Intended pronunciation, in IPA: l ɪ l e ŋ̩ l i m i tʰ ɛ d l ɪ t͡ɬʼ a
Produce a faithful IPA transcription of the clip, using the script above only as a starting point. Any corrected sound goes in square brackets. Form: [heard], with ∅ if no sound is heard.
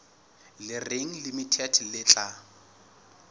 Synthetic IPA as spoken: l ɪ [r] e ŋ̩ l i m i tʰ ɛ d l ɪ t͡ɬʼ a